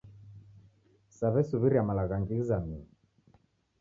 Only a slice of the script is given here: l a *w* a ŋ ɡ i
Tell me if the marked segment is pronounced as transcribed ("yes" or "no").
no